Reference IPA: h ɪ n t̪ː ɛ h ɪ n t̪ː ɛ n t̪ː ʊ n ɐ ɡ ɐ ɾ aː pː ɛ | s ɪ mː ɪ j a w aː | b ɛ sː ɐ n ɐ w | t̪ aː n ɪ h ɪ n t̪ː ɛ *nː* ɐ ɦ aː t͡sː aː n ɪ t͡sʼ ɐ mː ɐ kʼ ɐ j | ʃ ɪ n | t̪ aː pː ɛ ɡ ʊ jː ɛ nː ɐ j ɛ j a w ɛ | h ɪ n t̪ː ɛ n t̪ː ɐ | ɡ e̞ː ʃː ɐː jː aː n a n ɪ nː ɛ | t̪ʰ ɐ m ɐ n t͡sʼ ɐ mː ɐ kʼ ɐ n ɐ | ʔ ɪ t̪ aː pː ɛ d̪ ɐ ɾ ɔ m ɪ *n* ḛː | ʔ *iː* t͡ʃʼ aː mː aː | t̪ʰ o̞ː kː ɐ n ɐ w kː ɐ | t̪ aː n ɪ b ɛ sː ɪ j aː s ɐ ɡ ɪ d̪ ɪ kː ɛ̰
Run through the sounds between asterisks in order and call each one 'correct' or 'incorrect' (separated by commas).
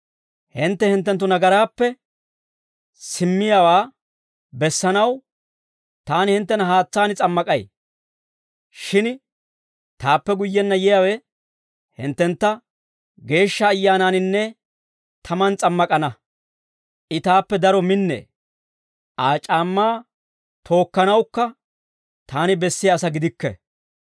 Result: incorrect, incorrect, incorrect